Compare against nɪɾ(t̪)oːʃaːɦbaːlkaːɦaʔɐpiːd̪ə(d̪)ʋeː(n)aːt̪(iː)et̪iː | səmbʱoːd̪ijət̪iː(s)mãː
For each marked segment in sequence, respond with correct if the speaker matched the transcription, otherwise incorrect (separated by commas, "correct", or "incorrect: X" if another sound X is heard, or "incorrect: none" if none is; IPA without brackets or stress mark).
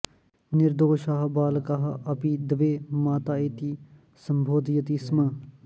incorrect: d̪, incorrect: none, incorrect: m, incorrect: aː, correct